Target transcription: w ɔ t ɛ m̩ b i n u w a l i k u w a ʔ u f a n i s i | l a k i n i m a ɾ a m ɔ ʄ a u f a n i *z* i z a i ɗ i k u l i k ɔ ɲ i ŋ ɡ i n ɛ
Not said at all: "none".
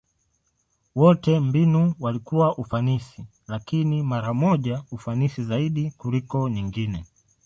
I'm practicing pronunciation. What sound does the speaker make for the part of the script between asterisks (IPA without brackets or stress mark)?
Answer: s